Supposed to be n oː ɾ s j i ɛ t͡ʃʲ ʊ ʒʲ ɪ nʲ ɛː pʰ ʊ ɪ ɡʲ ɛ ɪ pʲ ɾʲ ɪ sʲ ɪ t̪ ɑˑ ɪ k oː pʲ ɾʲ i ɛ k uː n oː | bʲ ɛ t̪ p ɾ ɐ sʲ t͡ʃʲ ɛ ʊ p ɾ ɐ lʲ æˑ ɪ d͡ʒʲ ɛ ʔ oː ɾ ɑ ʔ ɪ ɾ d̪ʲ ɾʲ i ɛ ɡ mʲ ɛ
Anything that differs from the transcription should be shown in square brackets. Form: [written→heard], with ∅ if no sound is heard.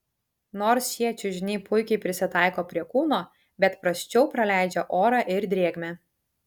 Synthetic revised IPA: n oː ɾ s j i ɛ t͡ʃʲ ʊ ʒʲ ɪ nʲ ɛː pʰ ʊ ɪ [ɡʲ→kʲ] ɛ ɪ pʲ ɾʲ ɪ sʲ ɪ t̪ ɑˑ ɪ k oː pʲ ɾʲ i ɛ k uː n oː | bʲ ɛ t̪ p ɾ ɐ sʲ t͡ʃʲ ɛ ʊ p ɾ ɐ lʲ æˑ ɪ d͡ʒʲ ɛ ʔ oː ɾ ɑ ʔ ɪ ɾ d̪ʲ ɾʲ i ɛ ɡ mʲ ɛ